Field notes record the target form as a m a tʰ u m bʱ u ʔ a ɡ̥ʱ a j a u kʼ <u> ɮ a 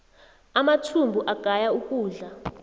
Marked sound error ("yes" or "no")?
yes